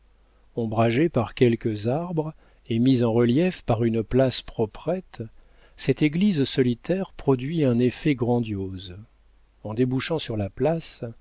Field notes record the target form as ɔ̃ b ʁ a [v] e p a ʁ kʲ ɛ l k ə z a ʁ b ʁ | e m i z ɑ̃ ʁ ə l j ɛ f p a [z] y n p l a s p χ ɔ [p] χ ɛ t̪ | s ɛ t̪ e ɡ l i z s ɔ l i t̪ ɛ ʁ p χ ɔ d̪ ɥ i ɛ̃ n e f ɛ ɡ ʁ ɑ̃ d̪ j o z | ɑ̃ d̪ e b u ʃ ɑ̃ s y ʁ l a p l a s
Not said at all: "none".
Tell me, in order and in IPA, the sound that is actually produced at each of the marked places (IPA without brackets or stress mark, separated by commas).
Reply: ʒ, ʁ, p